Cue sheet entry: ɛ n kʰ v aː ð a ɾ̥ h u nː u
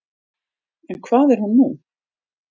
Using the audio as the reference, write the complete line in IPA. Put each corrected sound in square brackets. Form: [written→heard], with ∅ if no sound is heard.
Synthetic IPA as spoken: ɛ n kʰ v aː ð [a→ɛ] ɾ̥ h u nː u